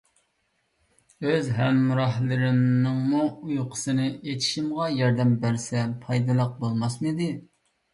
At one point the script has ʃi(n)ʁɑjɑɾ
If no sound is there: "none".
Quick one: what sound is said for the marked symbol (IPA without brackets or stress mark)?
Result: m